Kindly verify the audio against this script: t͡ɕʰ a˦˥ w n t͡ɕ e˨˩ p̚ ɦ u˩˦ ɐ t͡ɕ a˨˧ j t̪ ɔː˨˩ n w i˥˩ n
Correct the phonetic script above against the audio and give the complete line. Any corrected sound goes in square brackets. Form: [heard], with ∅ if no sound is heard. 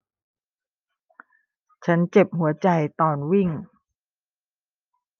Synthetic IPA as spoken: t͡ɕʰ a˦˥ [∅] n t͡ɕ e˨˩ p̚ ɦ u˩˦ ɐ t͡ɕ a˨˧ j t̪ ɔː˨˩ n w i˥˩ [ŋ]